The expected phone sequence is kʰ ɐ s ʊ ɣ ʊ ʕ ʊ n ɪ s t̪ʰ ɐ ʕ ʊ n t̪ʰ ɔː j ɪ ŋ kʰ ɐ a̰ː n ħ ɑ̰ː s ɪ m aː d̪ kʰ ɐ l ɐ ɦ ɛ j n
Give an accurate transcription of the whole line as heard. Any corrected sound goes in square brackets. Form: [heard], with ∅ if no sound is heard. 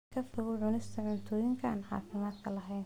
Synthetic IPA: kʰ ɐ [f] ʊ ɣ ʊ ʕ ʊ n ɪ s t̪ʰ ɐ ʕ ʊ n t̪ʰ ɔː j ɪ ŋ kʰ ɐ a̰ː n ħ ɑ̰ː [f] ɪ m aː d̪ kʰ ɐ l ɐ ɦ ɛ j n